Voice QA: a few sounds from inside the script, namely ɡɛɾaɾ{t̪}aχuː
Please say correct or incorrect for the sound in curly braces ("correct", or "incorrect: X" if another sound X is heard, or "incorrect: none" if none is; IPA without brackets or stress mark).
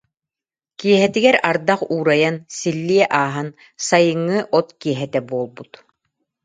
incorrect: d̪